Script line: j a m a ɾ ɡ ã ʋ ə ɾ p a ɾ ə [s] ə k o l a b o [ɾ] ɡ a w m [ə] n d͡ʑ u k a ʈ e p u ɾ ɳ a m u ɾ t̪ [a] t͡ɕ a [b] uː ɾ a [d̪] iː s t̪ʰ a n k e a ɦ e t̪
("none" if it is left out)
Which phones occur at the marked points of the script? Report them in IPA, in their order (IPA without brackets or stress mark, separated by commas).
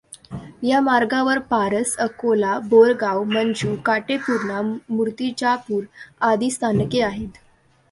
s, ɾ, ə, i, p, d̪